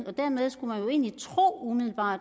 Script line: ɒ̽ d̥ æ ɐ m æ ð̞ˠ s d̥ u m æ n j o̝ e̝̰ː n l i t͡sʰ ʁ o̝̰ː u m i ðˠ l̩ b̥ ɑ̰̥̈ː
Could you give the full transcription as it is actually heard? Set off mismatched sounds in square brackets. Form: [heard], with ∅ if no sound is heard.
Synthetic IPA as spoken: ɒ̽ d̥ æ ɐ m [e] ð̞ˠ s [ɡ̥] u m æ n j o̝ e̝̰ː n l i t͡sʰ ʁ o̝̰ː u m i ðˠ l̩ b̥ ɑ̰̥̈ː